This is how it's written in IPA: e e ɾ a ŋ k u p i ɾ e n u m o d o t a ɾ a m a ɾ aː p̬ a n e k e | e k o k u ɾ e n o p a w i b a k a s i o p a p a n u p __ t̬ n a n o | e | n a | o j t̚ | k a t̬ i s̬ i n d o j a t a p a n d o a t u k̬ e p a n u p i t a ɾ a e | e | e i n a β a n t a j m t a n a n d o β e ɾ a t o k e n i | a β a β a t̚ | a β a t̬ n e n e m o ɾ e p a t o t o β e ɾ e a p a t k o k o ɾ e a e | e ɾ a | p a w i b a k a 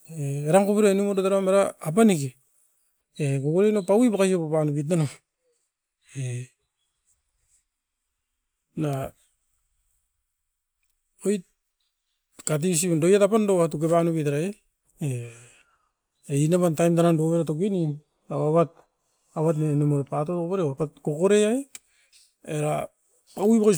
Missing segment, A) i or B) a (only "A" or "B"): A